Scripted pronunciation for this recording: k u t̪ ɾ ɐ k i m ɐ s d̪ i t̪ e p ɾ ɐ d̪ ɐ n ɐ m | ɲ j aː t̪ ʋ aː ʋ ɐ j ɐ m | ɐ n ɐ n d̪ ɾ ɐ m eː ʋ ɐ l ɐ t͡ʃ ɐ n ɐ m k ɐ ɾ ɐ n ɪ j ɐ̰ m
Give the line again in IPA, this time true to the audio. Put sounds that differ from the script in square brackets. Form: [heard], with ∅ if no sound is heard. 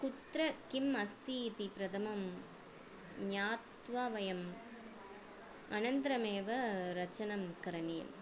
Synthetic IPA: k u t̪ ɾ ɐ k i m ɐ s [t̪] i t̪ [i] p ɾ ɐ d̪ ɐ [m] ɐ m | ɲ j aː t̪ ʋ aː ʋ ɐ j ɐ m | ɐ n ɐ n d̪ ɾ ɐ m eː ʋ ɐ [ɾ] ɐ t͡ʃ ɐ n ɐ m k ɐ ɾ ɐ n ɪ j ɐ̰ m

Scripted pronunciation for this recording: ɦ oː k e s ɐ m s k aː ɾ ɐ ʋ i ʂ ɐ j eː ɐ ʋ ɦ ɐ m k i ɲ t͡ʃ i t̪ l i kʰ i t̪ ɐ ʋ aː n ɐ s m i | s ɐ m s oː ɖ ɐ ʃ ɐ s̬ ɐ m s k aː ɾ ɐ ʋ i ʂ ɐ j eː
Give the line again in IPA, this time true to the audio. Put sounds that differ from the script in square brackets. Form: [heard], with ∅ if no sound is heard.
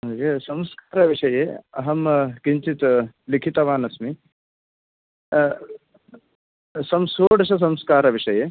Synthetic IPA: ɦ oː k e s ɐ m s k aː ɾ ɐ ʋ i ʂ ɐ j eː ɐ [∅] ɦ ɐ m k i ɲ t͡ʃ i t̪ l i kʰ i t̪ ɐ ʋ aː n ɐ s m i | s ɐ m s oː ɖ ɐ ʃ ɐ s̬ ɐ m s k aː ɾ ɐ ʋ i ʂ ɐ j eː

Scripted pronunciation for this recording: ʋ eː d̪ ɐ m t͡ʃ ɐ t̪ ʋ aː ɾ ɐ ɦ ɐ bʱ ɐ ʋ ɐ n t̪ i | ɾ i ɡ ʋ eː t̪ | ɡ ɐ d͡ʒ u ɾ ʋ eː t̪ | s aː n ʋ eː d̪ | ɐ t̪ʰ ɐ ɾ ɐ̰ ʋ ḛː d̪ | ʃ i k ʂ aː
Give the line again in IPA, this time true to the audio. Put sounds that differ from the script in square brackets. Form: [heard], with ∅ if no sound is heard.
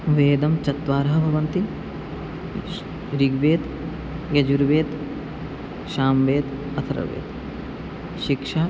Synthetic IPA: ʋ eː d̪ ɐ m t͡ʃ ɐ t̪ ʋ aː ɾ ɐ ɦ ɐ bʱ ɐ ʋ ɐ n t̪ i | ɾ i ɡ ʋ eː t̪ | ɡ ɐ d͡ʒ u ɾ ʋ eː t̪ | [ʃ] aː [m] ʋ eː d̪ | ɐ t̪ʰ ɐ ɾ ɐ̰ ʋ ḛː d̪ | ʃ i k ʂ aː

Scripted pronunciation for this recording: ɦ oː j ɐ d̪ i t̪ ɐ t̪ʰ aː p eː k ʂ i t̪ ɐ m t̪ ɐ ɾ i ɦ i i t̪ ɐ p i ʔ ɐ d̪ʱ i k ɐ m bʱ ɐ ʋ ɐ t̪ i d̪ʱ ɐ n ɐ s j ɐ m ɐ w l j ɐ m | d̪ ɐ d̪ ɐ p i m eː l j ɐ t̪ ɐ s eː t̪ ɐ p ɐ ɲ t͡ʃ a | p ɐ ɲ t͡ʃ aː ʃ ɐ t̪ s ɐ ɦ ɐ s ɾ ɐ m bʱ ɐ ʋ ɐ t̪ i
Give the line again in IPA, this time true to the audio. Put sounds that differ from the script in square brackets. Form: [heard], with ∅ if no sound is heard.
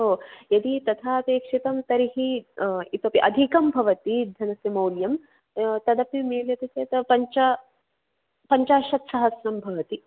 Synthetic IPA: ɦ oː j ɐ d̪ i t̪ ɐ t̪ʰ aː p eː k ʂ i t̪ ɐ m t̪ ɐ ɾ i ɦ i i t̪ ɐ p i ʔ ɐ d̪ʱ i k ɐ m bʱ ɐ ʋ ɐ t̪ i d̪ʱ ɐ n ɐ s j ɐ m ɐ w l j ɐ m | [t̪] ɐ d̪ ɐ p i m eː l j ɐ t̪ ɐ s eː t̪ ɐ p ɐ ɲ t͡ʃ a | p ɐ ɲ t͡ʃ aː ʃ ɐ t̪ s ɐ ɦ ɐ s ɾ ɐ m bʱ ɐ ʋ ɐ t̪ i

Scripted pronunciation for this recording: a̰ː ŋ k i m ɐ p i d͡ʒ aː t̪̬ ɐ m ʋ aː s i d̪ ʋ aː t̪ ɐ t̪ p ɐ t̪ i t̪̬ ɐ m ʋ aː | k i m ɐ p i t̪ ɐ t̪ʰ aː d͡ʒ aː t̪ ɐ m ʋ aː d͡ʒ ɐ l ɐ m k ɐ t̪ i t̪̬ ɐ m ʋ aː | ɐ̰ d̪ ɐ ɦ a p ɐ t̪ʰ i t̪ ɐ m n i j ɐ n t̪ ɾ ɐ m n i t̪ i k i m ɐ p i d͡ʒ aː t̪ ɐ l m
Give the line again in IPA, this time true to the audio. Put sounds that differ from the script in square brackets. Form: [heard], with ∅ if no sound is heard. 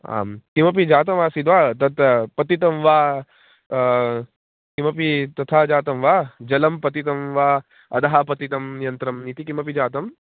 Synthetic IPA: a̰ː [m] k i m ɐ p i d͡ʒ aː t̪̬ ɐ m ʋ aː s i d̪ ʋ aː t̪ ɐ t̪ p ɐ t̪ i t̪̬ ɐ m ʋ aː | k i m ɐ p i t̪ ɐ t̪ʰ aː d͡ʒ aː t̪ ɐ m ʋ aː d͡ʒ ɐ l ɐ m [p] ɐ t̪ i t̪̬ ɐ m ʋ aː | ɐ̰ d̪ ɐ ɦ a p ɐ [t̪] i t̪ ɐ m n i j ɐ n t̪ ɾ ɐ m n i t̪ i k i m ɐ p i d͡ʒ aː t̪ ɐ [∅] m

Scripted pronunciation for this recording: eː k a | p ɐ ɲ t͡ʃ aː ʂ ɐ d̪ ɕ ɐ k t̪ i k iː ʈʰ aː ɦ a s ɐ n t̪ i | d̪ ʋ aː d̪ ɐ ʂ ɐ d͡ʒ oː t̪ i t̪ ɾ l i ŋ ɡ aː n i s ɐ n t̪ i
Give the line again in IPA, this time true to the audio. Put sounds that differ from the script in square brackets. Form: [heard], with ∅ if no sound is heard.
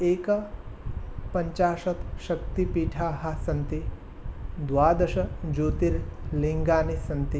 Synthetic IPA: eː k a | p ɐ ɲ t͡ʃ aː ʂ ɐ [t̪] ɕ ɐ k t̪ i [p] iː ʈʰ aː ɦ a s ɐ n t̪ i | d̪ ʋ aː d̪ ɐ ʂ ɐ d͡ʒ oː t̪ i [∅] ɾ l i ŋ ɡ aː n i s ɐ n t̪ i

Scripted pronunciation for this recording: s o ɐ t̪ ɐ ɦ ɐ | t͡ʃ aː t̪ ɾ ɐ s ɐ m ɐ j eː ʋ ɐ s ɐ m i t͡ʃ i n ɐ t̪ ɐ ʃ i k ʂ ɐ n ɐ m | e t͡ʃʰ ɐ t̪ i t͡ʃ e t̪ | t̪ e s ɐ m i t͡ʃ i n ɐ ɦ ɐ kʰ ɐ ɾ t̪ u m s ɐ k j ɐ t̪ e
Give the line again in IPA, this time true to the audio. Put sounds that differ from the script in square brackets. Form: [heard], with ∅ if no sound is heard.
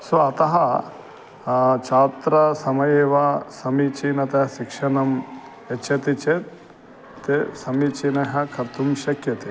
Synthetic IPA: s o ɐ t̪ ɐ ɦ ɐ | t͡ʃ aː t̪ ɾ ɐ s ɐ m ɐ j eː ʋ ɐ s ɐ m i t͡ʃ i n ɐ t̪ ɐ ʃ i k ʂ ɐ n ɐ m | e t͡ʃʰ ɐ t̪ i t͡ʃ e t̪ | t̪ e s ɐ m i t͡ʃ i n ɐ ɦ ɐ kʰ ɐ ɾ t̪ u m [ʃ] ɐ k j ɐ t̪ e

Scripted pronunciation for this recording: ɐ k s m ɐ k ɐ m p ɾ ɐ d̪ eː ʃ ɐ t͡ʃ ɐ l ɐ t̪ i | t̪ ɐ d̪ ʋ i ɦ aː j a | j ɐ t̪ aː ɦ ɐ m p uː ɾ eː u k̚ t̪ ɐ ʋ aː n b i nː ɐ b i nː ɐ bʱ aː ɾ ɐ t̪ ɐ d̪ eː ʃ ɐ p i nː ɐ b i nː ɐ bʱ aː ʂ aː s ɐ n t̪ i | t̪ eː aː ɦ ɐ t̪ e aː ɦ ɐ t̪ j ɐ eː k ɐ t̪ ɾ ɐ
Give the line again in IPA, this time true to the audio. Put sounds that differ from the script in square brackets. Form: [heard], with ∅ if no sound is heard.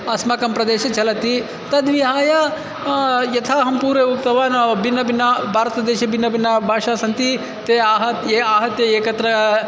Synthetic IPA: ɐ [∅] s m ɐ k ɐ m p ɾ ɐ d̪ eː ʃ ɐ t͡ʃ ɐ l ɐ t̪ i | t̪ ɐ d̪ ʋ i ɦ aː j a | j ɐ [t̪ʰ] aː ɦ ɐ m p uː ɾ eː u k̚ t̪ ɐ ʋ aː n b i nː ɐ b i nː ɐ bʱ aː ɾ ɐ t̪ ɐ d̪ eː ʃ ɐ [b] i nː ɐ b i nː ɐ bʱ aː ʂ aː s ɐ n t̪ i | t̪ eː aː ɦ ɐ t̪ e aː ɦ ɐ t̪ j ɐ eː k ɐ t̪ ɾ ɐ

